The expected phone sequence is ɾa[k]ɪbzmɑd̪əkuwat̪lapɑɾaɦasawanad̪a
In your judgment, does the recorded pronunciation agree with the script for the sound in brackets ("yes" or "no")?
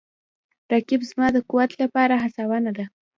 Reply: yes